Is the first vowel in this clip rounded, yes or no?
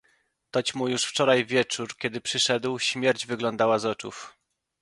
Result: yes